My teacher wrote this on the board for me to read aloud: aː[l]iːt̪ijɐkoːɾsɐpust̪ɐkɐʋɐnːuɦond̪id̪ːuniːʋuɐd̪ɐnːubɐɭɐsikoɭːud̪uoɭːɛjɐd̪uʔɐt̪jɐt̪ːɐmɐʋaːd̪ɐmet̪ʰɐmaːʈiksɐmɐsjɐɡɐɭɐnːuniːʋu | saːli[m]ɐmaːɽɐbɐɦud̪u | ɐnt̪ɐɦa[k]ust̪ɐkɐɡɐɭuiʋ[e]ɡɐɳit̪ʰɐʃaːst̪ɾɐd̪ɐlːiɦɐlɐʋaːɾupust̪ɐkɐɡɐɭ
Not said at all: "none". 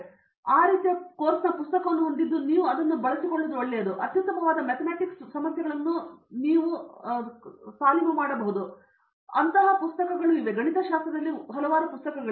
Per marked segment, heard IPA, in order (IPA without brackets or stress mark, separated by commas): ɾ, m, p, e